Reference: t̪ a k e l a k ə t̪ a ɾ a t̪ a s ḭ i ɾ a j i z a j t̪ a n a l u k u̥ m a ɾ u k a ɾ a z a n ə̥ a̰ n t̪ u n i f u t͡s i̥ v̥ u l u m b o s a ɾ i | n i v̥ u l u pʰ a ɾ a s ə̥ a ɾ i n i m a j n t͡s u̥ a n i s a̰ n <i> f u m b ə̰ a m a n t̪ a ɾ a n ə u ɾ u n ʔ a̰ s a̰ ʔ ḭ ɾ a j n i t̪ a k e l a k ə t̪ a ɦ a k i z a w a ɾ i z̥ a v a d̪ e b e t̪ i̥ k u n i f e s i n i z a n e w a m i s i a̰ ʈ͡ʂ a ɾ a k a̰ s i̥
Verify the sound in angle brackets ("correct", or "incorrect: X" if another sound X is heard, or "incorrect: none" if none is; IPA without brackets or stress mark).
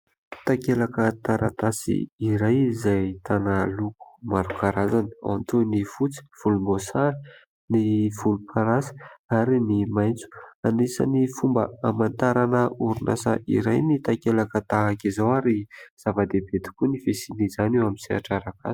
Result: correct